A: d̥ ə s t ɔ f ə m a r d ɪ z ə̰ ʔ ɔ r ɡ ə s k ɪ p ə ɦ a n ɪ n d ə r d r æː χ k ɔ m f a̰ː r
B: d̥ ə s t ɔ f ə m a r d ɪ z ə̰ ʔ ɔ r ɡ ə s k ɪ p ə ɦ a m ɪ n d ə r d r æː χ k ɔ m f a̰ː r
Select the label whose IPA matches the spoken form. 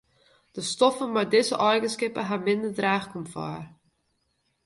B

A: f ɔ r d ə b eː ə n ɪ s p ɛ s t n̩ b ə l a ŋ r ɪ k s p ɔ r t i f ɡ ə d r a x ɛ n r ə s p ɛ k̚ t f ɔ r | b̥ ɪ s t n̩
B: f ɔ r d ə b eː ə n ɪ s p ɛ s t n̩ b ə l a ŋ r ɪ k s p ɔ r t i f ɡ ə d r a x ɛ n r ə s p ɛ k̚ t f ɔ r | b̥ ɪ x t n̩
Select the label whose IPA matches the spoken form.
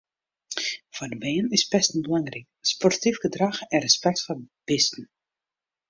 A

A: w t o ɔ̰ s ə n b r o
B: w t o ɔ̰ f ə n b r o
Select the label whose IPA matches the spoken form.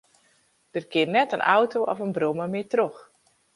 B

